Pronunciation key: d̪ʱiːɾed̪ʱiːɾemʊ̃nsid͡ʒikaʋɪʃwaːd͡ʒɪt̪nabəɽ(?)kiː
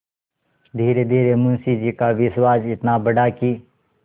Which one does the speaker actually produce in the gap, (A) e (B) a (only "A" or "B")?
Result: B